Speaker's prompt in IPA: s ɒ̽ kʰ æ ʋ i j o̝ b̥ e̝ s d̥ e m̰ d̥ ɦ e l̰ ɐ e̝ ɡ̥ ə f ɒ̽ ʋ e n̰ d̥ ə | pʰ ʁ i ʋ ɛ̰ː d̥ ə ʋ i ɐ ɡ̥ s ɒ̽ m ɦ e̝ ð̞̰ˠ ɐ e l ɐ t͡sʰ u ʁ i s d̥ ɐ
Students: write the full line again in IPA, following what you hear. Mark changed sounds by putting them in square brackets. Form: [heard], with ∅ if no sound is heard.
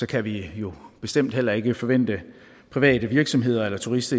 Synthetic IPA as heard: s ɒ̽ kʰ æ ʋ i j o̝ b̥ e̝ s d̥ e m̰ d̥ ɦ e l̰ ɐ e̝ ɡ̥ ə f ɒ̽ ʋ e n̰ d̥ ə | pʰ ʁ i ʋ ɛ̰ː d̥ ə ʋ i ɐ ɡ̥ s ɒ̽ m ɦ e̝ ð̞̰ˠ ɐ e l ɐ t͡sʰ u ʁ i s d̥ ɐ